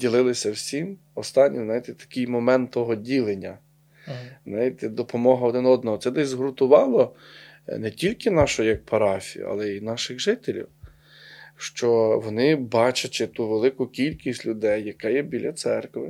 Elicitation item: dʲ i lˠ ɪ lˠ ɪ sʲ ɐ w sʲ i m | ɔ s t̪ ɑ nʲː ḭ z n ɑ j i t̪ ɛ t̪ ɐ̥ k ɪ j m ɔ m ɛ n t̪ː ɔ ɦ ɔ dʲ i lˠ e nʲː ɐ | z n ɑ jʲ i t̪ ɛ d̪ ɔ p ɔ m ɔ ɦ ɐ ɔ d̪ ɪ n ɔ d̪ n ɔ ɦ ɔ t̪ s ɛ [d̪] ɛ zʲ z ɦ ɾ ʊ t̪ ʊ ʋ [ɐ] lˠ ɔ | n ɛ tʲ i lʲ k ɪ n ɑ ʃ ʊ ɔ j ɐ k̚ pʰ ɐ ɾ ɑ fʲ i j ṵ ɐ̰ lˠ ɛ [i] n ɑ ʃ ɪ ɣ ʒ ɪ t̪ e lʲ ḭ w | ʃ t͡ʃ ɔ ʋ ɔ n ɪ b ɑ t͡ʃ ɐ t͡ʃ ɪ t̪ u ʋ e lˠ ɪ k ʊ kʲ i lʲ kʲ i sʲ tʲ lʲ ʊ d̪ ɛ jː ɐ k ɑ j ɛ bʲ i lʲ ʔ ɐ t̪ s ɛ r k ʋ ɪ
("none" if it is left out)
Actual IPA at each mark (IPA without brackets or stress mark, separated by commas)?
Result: d̪, ɑ, i